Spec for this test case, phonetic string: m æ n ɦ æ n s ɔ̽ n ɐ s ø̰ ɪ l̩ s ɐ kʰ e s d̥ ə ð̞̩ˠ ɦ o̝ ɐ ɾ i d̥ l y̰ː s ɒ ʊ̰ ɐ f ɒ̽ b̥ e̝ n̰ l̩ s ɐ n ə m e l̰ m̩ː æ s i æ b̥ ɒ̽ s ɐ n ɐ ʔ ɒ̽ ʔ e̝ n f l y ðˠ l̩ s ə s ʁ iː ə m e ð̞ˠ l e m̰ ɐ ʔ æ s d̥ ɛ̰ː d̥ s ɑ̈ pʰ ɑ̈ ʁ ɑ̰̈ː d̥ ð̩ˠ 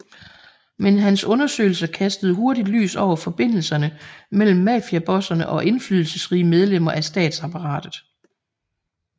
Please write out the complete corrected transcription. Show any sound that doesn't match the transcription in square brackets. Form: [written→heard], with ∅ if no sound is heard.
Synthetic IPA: m [æ→e] n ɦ æ n s ɔ̽ n ɐ s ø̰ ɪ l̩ s ɐ kʰ [e→æ] s d̥ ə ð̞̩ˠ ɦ o̝ ɐ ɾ i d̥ l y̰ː s ɒ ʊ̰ ɐ f ɒ̽ b̥ e̝ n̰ l̩ s ɐ n ə m e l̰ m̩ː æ [s→f] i æ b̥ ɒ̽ s ɐ n [ɐ→ə] ʔ ɒ̽ ʔ e̝ n f l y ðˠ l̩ s ə s ʁ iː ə m e ð̞ˠ l e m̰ ɐ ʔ æ s d̥ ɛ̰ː d̥ s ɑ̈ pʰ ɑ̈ ʁ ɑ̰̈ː d̥ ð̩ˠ